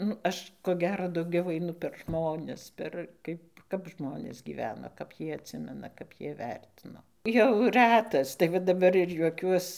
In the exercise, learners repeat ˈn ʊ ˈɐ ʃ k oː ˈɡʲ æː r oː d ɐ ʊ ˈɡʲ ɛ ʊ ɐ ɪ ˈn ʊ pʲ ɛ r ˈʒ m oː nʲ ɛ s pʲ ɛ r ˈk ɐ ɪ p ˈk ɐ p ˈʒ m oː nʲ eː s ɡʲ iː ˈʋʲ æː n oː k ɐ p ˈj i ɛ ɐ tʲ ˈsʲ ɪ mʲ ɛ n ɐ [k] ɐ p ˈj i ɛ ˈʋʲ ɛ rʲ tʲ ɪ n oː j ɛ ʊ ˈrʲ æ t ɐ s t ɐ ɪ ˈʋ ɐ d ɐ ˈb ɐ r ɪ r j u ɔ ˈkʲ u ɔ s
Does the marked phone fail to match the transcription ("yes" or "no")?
no